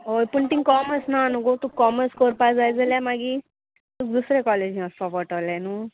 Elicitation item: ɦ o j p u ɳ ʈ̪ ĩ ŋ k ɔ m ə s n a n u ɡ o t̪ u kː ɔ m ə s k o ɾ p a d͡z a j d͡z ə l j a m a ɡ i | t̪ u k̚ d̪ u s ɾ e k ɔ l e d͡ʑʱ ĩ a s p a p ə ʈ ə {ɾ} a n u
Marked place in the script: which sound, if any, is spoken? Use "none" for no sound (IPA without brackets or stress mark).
l